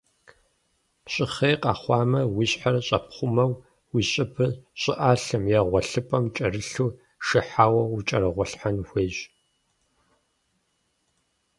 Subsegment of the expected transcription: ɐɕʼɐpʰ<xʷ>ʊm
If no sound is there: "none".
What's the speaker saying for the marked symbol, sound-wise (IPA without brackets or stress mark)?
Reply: χʷ